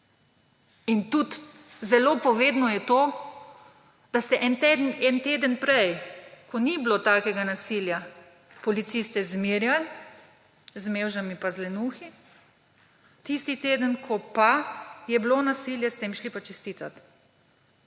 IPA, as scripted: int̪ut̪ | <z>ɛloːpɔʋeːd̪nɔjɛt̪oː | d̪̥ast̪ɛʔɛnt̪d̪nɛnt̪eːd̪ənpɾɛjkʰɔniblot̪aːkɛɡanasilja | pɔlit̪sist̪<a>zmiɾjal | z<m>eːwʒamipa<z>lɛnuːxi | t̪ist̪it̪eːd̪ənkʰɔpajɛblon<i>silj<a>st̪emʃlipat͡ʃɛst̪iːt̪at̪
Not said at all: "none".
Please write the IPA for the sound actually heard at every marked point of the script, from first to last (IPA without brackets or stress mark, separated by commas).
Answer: z, ɛ, m, z, a, ɛ